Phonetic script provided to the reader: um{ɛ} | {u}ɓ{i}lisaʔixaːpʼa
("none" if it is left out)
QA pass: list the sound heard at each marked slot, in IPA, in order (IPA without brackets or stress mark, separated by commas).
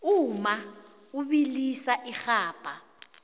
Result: a, u, i